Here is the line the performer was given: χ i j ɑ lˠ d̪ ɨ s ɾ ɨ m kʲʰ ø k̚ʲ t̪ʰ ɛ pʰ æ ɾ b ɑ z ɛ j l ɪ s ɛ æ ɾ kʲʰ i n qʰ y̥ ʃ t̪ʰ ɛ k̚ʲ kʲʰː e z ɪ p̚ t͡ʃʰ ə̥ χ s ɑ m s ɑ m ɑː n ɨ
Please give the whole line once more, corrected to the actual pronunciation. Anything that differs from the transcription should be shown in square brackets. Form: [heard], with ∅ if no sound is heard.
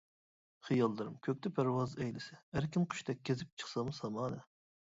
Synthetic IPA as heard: χ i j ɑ lˠ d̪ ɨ [∅] ɾ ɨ m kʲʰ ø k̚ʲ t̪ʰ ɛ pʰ æ ɾ [w] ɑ z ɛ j l ɪ s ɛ æ ɾ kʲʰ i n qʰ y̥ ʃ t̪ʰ ɛ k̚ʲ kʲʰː e z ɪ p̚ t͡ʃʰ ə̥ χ s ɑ m s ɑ m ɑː n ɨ